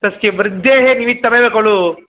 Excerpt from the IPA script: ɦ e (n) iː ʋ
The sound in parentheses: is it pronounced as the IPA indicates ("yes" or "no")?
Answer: yes